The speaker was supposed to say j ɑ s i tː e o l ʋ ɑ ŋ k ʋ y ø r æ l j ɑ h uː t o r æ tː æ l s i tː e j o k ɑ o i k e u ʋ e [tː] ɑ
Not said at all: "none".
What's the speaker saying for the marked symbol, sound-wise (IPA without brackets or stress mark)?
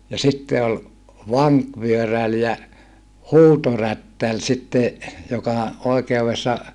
sː